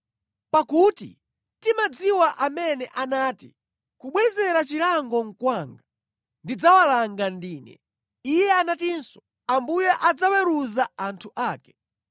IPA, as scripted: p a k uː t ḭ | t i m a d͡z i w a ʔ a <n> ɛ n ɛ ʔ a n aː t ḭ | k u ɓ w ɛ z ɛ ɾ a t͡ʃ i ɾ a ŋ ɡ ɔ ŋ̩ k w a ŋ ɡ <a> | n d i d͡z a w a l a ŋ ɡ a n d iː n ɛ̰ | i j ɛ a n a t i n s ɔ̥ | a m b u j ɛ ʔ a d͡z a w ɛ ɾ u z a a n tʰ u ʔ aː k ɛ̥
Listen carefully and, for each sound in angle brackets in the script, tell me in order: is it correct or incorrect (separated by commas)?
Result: incorrect, correct